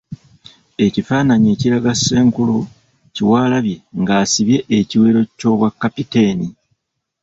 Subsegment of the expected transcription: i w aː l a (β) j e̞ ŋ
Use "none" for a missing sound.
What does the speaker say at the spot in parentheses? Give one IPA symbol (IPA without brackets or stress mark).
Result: β